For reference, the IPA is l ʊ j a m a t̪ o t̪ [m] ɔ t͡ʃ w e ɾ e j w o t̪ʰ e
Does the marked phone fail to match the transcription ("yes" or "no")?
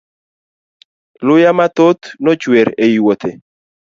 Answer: yes